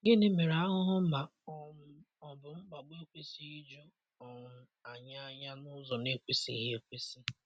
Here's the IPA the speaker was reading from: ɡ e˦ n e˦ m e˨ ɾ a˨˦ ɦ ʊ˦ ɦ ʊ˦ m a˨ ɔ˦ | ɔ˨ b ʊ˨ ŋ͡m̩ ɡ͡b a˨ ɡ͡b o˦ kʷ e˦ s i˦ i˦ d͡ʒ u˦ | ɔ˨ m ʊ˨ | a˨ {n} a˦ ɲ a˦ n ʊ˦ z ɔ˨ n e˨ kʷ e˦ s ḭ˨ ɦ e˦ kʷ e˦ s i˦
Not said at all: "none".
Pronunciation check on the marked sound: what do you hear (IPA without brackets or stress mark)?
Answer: ɲ